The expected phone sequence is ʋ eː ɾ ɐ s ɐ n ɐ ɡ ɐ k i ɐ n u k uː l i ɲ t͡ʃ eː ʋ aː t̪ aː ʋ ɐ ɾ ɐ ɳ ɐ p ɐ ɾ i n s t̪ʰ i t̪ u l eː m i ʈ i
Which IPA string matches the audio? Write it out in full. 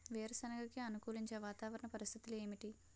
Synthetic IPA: ʋ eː ɾ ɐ s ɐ n ɐ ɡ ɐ k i ɐ n u k uː l i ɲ t͡ʃ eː ʋ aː t̪ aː ʋ ɐ ɾ ɐ ɳ ɐ p ɐ ɾ i s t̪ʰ i t̪ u l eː m i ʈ i